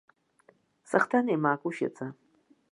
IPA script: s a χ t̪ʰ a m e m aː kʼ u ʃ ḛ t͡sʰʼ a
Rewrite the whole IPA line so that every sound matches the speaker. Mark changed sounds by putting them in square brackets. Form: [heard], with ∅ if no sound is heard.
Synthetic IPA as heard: s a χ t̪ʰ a [n] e m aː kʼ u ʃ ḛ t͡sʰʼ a